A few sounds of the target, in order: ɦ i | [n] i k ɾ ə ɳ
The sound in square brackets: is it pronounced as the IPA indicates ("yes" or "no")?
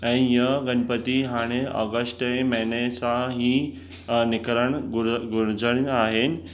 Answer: yes